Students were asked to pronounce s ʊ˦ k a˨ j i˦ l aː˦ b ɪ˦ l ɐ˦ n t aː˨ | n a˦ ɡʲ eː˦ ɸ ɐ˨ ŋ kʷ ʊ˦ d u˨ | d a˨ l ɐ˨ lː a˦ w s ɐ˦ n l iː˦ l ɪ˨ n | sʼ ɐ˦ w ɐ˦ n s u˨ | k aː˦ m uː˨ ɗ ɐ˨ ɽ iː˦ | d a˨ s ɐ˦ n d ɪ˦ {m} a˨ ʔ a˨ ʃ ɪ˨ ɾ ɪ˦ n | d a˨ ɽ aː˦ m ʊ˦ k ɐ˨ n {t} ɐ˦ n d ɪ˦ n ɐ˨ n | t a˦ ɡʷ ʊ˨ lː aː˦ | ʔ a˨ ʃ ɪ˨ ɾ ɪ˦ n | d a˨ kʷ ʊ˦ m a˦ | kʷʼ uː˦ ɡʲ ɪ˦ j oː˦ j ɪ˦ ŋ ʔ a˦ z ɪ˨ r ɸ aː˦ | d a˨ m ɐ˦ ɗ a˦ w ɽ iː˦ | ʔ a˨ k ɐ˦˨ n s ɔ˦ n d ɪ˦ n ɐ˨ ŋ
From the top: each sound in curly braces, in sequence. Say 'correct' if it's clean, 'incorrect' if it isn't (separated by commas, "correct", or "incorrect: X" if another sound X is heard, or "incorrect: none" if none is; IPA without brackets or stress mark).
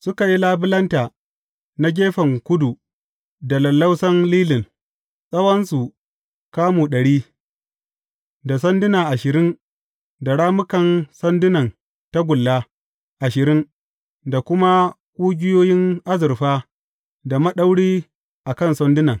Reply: incorrect: n, incorrect: s